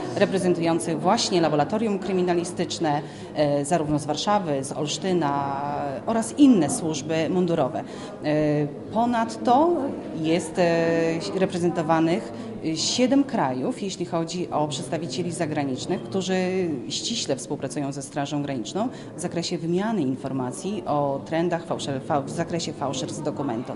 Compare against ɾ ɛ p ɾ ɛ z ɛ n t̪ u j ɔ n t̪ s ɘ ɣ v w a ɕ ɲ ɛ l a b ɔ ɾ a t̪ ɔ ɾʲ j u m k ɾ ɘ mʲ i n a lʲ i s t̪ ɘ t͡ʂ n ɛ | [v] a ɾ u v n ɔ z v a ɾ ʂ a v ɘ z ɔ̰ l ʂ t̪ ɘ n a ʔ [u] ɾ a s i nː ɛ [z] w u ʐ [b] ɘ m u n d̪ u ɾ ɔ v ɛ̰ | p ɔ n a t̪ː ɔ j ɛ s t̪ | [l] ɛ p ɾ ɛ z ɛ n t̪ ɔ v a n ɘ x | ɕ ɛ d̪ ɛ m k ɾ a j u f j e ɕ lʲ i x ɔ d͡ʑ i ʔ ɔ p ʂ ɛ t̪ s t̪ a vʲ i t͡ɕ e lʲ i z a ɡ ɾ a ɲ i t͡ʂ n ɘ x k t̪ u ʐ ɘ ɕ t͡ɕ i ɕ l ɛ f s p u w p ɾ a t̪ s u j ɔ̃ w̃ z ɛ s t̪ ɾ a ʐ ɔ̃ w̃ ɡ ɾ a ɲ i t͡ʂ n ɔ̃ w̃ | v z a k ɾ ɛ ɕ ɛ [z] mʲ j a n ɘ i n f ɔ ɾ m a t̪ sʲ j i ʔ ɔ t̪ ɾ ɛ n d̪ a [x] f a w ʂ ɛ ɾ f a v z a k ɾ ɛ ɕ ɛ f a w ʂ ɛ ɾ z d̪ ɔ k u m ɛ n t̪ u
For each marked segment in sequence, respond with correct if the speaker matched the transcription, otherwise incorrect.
incorrect: z, incorrect: ɔ, incorrect: s, correct, incorrect: ɾ, incorrect: v, correct

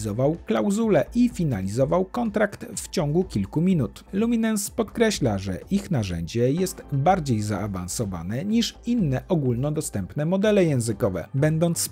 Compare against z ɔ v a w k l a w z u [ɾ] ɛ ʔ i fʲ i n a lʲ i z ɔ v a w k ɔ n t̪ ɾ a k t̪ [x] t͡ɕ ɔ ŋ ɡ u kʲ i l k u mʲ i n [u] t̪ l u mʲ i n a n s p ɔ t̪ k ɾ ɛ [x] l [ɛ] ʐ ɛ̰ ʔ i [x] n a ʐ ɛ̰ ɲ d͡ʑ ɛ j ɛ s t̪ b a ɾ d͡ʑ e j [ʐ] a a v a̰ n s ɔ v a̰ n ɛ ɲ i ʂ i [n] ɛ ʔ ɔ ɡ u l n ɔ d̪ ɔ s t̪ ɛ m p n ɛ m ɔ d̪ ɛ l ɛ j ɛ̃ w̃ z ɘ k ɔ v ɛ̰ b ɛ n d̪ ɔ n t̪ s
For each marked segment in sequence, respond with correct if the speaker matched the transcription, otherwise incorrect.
incorrect: l, incorrect: f, correct, incorrect: ɕ, incorrect: a, correct, incorrect: z, incorrect: nː

